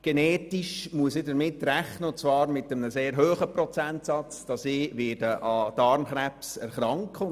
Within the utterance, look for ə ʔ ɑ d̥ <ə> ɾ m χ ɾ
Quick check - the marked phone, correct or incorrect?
incorrect: ɑ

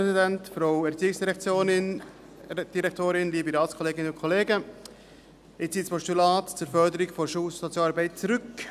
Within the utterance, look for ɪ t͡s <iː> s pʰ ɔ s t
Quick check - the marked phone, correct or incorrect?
correct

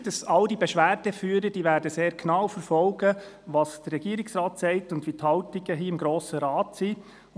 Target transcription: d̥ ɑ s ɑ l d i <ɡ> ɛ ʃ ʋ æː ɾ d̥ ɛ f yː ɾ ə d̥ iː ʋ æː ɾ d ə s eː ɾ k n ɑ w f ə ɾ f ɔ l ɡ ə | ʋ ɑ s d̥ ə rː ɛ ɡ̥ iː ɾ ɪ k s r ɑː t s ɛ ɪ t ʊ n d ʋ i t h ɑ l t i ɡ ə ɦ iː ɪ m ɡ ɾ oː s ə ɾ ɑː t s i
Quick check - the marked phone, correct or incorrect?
incorrect: b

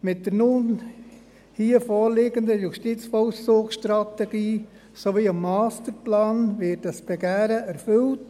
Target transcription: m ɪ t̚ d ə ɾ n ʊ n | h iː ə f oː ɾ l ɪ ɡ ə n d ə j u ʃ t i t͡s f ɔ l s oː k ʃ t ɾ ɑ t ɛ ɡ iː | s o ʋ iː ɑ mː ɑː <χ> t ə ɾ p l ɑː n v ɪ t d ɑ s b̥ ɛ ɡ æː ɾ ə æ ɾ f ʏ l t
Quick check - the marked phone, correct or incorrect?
incorrect: s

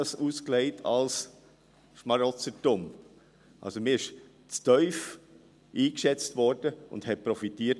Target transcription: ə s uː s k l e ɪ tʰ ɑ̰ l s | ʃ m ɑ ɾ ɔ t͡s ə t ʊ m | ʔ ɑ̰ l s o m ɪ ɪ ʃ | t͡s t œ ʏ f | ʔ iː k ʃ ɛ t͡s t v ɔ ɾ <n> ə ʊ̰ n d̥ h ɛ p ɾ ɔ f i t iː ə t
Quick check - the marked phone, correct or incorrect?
incorrect: d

